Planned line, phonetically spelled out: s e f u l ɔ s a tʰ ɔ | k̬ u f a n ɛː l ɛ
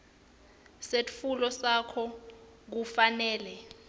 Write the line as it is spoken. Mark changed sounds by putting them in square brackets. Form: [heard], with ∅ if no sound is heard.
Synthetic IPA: s e f u l ɔ s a [kʰ] ɔ | k̬ u f a n ɛː l ɛ